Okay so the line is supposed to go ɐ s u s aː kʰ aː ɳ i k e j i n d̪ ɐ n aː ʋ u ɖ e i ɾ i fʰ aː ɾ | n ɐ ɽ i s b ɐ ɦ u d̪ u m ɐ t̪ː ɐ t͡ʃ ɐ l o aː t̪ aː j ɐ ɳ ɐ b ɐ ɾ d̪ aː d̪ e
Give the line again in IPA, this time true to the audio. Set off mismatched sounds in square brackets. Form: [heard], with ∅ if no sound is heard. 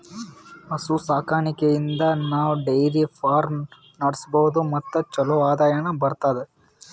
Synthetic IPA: ɐ s u s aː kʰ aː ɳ i k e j i n d̪ ɐ n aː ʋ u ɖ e [j] ɾ i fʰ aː ɾ | n ɐ ɽ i s b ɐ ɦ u d̪ u m ɐ t̪ː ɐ t͡ʃ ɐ l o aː [d̪] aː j ɐ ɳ ɐ b ɐ ɾ [t̪] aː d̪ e